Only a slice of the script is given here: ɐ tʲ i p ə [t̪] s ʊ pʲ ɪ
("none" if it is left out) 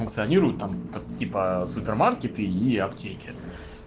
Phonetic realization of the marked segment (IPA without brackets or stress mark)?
none